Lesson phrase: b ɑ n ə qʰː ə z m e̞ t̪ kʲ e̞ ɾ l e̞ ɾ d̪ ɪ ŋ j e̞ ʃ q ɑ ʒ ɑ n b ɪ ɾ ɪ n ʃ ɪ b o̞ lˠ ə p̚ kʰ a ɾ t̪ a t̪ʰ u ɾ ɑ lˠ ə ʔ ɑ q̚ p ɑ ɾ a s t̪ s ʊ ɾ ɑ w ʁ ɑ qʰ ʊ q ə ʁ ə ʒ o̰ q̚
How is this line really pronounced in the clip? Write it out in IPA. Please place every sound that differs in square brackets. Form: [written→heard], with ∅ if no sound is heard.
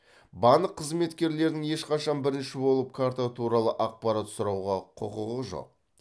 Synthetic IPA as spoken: b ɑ n ə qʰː ə z m e̞ t̪ kʲ e̞ ɾ l e̞ ɾ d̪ ɪ ŋ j e̞ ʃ q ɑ [ʒ→ʃ] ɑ n b ɪ ɾ ɪ n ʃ ɪ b o̞ lˠ ə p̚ kʰ a ɾ t̪ a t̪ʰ u ɾ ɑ lˠ ə ʔ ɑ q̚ p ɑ ɾ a [s→∅] t̪ s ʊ ɾ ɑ w ʁ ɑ qʰ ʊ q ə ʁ ə ʒ o̰ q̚